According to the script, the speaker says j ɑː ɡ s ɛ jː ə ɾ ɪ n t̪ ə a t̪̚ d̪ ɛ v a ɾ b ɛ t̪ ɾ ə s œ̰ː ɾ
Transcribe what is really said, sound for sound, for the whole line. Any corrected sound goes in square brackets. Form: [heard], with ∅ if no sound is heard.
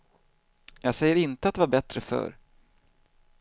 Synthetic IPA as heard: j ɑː ɡ s ɛ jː ə ɾ ɪ n t̪ ə a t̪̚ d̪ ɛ v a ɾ b ɛ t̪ ɾ ə [f] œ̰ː ɾ

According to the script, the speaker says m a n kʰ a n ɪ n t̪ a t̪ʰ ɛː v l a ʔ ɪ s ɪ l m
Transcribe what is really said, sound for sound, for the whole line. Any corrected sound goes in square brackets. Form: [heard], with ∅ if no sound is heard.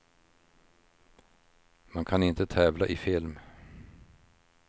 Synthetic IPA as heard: m a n kʰ a n ɪ n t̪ [ə] t̪ʰ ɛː v l a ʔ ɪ [f] ɪ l m

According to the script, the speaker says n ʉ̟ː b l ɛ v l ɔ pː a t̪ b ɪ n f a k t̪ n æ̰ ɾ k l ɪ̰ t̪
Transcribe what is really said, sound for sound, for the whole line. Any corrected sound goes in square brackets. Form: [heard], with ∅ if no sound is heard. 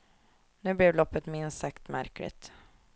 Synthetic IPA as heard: n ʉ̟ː b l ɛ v l ɔ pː [ə] t̪ [m] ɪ n [s] a k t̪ [m] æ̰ ɾ k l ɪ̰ t̪

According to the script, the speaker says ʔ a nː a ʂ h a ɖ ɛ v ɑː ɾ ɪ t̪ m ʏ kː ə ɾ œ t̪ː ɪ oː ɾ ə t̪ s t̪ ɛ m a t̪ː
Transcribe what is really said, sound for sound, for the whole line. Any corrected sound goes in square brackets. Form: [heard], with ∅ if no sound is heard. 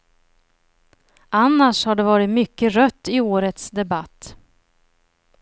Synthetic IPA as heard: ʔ a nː a ʂ h a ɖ ɛ v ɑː ɾ ɪ t̪ m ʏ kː ə ɾ œ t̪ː ɪ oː ɾ ə t̪ s [d̪] ɛ [b] a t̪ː

